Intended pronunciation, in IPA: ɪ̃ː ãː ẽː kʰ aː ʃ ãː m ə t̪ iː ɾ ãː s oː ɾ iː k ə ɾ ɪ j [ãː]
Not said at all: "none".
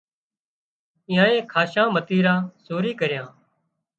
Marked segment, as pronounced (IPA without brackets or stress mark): ãː